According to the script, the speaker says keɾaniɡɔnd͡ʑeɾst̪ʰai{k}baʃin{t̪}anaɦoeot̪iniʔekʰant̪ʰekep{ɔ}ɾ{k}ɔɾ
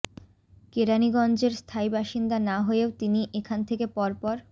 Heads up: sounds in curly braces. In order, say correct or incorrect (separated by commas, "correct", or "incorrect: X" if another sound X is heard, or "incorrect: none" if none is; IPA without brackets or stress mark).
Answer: incorrect: none, incorrect: d̪, correct, incorrect: p